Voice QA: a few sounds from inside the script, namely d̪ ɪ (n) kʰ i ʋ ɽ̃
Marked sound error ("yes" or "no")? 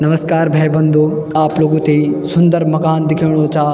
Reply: yes